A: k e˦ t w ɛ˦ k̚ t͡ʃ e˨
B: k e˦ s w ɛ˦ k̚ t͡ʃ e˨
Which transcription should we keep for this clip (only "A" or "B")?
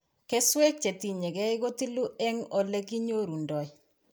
B